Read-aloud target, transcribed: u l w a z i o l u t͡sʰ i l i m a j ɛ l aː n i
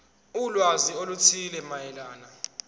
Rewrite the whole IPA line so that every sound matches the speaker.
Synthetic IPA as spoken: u l w a z i o l u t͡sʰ i l ɛ m a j ɛ l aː n a